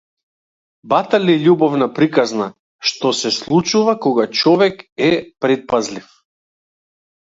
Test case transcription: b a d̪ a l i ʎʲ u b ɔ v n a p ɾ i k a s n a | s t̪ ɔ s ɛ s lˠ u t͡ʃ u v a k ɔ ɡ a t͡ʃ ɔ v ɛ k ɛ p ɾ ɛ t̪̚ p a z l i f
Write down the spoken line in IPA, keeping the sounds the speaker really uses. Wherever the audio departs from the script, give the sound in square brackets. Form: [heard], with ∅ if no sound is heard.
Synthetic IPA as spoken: b a [t̪] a l i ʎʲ u b ɔ v n a p ɾ i k a [z] n a | [ʃ] t̪ ɔ s ɛ s lˠ u t͡ʃ u v a k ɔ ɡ a t͡ʃ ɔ v ɛ k ɛ p ɾ ɛ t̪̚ p a z l i f